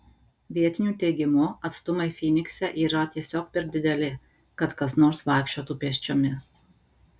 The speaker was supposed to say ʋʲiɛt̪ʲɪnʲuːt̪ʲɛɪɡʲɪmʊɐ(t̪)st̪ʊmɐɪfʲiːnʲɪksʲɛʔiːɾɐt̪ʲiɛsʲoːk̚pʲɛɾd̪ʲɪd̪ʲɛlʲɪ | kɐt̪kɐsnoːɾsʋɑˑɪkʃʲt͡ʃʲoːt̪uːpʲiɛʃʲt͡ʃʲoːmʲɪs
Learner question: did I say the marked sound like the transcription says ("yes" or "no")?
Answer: yes